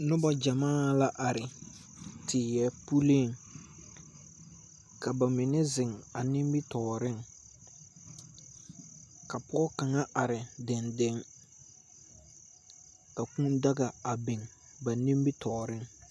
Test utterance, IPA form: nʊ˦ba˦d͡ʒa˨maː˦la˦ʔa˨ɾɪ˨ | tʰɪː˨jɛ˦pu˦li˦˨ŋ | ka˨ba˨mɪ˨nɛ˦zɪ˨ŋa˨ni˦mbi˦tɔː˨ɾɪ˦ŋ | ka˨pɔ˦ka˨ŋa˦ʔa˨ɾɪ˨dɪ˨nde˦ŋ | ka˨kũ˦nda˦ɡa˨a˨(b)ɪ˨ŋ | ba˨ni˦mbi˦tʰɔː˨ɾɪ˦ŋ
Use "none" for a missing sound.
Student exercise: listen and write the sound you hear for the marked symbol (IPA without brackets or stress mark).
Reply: b